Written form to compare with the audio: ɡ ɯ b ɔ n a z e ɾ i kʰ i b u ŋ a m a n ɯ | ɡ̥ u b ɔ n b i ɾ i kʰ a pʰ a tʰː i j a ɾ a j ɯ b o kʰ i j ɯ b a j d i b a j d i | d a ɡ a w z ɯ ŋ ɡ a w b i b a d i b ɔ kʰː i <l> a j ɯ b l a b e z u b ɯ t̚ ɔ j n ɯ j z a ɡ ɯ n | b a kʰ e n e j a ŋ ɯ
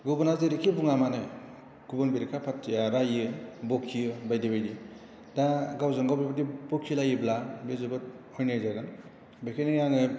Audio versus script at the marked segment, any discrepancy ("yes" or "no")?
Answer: no